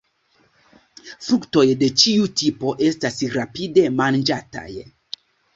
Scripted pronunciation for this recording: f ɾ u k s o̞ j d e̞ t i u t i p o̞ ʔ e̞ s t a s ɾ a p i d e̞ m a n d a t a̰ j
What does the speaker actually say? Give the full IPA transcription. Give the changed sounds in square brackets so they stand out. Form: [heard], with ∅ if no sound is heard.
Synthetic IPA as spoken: f ɾ u k [t] o̞ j d e̞ [t͡ʃ] i u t i p o̞ ʔ e̞ s t a s ɾ a p i d e̞ m a n [d͡ʒ] a t a̰ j